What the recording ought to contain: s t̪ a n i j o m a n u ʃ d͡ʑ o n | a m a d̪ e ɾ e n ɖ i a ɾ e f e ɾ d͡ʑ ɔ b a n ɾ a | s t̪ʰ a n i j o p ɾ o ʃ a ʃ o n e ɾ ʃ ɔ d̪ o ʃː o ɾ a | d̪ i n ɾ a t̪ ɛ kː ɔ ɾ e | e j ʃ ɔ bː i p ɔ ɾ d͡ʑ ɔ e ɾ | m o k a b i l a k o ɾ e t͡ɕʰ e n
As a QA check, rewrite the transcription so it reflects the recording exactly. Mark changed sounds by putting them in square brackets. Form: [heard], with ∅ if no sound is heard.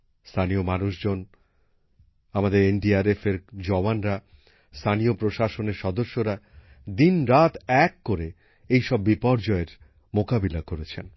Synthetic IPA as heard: s [t̪ʰ] a n i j o m a n u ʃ d͡ʑ o n | a m a d̪ e ɾ e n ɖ i a ɾ e f e ɾ d͡ʑ ɔ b a n ɾ a | s t̪ʰ a n i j o p ɾ o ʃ a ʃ o n e ɾ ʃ ɔ d̪ o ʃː o ɾ a | d̪ i n ɾ a t̪ ɛ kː [o] ɾ e | e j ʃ ɔ bː i p ɔ ɾ d͡ʑ ɔ e ɾ | m o k a b i l a k o ɾ e t͡ɕʰ e n